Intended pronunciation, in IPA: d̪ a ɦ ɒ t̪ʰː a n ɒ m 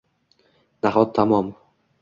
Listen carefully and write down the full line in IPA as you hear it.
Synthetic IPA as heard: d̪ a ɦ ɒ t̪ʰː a m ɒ m